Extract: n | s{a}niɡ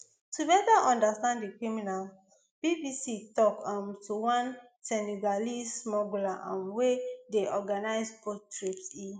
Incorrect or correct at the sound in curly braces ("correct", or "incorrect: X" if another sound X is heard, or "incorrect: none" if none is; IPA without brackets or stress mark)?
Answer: incorrect: ɛ